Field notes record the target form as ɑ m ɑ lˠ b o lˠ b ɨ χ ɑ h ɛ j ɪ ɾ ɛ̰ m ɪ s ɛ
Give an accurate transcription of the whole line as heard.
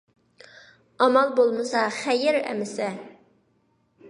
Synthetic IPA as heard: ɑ m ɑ lˠ b o lˠ m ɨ s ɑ χ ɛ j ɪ ɾ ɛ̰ m ɪ s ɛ